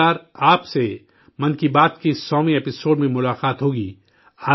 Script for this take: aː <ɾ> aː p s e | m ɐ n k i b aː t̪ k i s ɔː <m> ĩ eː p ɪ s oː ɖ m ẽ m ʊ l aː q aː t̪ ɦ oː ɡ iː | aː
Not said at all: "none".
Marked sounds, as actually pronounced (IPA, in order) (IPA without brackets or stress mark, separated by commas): ɾ, m